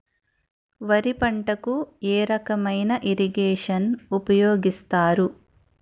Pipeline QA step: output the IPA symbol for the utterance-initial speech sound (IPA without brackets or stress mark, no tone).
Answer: ʋ